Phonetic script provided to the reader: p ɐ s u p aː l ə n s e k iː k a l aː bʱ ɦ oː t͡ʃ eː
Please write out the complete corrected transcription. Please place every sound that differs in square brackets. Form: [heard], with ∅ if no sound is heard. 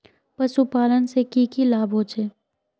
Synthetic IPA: p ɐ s u p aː l ə n s e k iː k [i] l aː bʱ ɦ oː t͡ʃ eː